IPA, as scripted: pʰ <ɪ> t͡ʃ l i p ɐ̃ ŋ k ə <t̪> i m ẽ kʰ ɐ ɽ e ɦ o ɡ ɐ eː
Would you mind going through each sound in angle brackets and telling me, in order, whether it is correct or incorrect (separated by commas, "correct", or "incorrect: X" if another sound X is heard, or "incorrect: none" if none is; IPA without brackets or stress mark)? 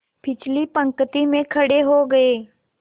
correct, correct